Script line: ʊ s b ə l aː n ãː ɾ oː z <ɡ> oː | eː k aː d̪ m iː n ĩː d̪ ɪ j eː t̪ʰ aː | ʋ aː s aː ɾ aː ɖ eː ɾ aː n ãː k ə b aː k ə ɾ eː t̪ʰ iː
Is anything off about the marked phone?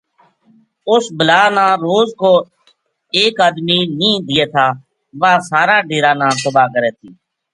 yes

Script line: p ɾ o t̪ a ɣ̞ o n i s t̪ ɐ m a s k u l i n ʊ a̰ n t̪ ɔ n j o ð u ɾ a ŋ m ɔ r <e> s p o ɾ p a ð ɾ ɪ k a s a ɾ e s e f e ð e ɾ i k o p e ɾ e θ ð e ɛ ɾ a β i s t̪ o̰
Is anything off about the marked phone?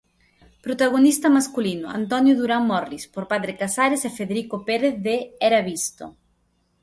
yes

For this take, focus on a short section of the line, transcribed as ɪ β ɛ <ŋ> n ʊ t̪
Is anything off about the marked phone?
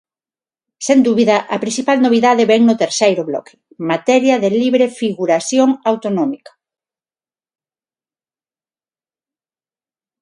no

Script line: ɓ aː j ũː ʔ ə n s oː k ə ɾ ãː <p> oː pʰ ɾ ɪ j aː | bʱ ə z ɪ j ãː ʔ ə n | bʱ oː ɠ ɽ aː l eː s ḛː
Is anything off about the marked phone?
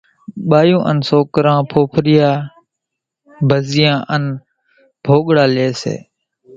yes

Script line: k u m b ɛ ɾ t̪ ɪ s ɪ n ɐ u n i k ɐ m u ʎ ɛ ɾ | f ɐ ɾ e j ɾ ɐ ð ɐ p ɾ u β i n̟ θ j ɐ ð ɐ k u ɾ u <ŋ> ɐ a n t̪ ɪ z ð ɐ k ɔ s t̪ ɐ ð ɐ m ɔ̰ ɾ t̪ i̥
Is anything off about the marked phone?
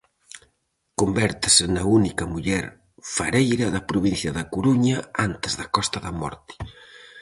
yes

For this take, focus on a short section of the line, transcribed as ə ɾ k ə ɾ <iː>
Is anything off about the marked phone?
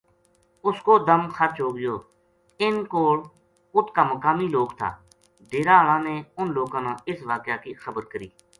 no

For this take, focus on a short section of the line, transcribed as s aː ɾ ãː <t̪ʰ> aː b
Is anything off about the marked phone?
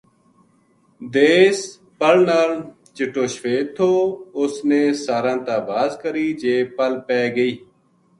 yes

